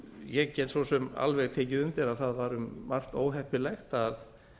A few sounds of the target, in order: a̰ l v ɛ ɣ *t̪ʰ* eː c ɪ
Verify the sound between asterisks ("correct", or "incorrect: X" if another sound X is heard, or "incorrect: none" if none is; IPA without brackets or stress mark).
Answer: correct